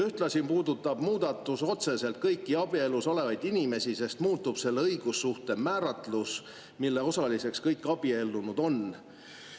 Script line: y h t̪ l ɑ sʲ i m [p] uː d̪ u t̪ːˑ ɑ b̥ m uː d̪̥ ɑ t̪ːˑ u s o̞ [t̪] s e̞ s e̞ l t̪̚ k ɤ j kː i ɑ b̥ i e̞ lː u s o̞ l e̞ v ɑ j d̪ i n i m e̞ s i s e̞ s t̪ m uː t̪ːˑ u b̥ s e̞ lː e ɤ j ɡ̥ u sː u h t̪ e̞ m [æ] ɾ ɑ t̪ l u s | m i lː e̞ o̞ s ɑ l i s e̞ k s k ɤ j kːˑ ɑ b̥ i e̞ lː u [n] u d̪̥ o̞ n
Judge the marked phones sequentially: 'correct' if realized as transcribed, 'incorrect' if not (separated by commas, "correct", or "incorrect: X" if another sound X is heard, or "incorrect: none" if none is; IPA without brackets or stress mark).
correct, correct, incorrect: æː, correct